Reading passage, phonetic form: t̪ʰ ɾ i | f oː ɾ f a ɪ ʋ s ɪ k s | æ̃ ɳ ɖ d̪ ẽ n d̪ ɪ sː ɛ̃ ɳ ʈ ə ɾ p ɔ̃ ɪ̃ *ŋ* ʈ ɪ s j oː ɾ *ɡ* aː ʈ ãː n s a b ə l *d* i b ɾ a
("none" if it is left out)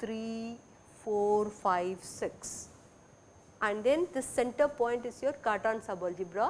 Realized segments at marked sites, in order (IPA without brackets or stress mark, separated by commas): ɳ, k, d͡ʒ